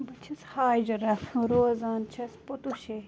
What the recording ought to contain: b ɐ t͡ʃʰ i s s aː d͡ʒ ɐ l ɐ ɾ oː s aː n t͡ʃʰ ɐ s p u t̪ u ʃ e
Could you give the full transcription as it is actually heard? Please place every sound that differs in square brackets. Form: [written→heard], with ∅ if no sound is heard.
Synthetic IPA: b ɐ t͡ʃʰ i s [s→h] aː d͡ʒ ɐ [l→ɾ] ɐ ɾ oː [s→z] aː n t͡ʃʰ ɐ s p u t̪ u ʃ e